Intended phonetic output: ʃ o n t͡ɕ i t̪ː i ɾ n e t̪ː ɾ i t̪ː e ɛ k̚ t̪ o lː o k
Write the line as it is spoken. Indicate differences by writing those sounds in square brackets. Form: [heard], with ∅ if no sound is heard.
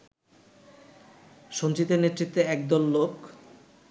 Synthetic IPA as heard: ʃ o n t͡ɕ i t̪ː [e] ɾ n e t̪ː ɾ i t̪ː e ɛ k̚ [d̪] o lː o k